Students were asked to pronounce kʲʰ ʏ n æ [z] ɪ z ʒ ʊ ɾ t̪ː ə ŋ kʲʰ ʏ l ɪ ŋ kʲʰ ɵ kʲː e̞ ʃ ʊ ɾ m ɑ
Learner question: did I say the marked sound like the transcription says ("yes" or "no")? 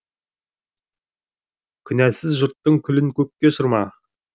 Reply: no